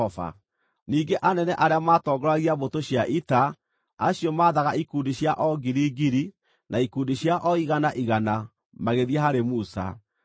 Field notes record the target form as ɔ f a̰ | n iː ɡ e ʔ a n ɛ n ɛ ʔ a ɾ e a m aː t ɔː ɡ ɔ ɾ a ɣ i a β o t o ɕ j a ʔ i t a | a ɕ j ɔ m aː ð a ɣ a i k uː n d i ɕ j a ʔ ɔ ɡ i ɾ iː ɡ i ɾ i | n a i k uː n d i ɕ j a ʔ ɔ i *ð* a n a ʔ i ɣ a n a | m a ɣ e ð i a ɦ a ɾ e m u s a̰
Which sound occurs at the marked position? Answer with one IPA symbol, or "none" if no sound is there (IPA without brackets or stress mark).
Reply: ɣ